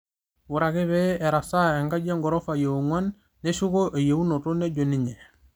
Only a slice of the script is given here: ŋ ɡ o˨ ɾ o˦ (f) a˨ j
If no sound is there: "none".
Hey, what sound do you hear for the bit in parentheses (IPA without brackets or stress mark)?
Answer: f